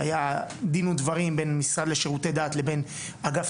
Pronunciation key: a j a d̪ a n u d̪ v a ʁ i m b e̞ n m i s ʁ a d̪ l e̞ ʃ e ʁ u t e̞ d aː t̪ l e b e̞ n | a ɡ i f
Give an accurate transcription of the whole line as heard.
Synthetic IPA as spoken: a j a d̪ i n u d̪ v a ʁ i m b e̞ n m i s ʁ a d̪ l e̞ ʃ e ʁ u t e̞ d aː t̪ l e b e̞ n | a ɡ a f